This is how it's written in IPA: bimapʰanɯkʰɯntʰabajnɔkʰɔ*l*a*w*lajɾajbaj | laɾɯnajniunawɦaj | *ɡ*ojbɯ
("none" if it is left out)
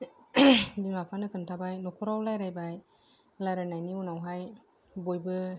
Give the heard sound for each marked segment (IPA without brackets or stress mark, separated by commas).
ɾ, w, b